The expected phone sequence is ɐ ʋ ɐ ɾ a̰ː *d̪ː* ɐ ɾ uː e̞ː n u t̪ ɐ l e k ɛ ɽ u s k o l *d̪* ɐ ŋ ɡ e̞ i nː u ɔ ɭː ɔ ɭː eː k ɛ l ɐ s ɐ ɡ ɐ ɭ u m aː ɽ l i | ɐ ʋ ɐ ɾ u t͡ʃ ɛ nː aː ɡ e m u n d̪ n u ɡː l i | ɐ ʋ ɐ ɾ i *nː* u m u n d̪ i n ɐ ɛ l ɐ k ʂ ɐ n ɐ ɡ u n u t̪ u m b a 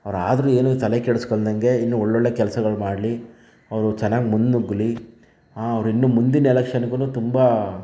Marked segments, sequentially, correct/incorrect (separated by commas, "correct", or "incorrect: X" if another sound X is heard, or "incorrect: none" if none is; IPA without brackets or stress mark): incorrect: d̪, correct, correct